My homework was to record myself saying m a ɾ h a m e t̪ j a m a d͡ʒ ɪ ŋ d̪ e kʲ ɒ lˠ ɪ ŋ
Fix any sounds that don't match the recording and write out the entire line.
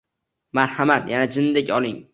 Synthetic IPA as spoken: m a ɾ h a m a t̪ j a n a d͡ʒ ɪ n d̪ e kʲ ɒ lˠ ɪ ŋ